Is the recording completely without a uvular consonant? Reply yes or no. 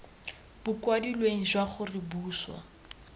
no